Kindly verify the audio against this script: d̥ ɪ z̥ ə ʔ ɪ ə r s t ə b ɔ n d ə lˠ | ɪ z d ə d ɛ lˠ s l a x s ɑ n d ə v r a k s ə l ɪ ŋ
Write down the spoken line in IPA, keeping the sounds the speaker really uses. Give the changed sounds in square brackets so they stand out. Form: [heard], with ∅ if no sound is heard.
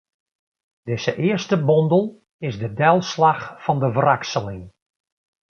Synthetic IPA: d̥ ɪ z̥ ə ʔ ɪ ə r s t ə b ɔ n d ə lˠ | ɪ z d ə d ɛ lˠ s l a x [f] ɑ n d ə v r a k s ə l ɪ ŋ